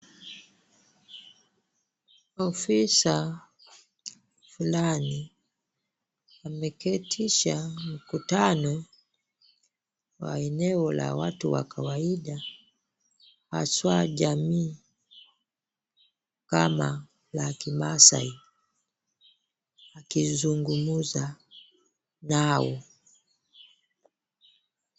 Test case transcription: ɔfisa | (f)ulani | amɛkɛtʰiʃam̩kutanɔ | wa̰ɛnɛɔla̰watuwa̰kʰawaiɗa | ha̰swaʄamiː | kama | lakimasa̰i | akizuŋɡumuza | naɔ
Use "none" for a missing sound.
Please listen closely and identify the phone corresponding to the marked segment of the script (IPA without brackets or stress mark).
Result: f